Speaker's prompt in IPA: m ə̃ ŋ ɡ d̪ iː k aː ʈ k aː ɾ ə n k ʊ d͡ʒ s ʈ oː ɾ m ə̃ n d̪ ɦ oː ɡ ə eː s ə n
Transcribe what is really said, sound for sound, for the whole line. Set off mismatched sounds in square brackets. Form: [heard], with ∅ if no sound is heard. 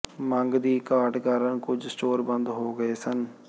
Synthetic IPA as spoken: m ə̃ ŋ ɡ d̪ iː k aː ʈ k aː ɾ ə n k ʊ d͡ʒ s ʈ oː ɾ [b] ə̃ n d̪ ɦ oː ɡ ə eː s ə n